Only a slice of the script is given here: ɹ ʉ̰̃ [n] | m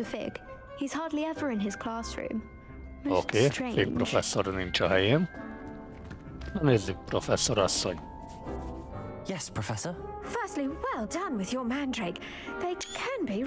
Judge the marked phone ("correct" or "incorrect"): incorrect